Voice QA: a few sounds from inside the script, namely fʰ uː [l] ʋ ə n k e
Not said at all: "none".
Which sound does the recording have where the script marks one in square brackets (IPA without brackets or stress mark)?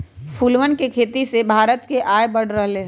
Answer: l